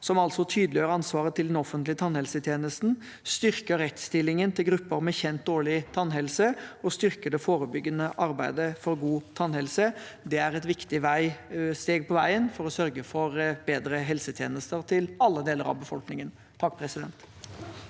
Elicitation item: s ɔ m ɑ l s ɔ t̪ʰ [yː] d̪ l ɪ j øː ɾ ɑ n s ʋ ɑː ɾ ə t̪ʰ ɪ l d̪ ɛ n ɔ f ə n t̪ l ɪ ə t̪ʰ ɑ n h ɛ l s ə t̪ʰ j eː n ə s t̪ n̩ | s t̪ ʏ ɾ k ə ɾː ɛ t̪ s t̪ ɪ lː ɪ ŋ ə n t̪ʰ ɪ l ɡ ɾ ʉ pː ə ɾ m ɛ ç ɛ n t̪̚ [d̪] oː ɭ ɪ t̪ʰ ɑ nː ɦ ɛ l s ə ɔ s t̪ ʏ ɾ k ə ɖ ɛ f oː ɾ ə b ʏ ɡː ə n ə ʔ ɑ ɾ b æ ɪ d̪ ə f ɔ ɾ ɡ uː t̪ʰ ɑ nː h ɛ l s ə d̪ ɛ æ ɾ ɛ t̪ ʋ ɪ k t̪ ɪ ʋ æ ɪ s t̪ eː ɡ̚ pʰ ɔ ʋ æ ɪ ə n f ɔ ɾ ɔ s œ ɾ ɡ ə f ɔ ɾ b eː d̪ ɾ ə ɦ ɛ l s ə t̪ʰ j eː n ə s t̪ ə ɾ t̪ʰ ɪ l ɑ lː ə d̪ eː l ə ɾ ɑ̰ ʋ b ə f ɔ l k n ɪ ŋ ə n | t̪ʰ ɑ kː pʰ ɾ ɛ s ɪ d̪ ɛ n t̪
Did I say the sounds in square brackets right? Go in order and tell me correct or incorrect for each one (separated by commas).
correct, correct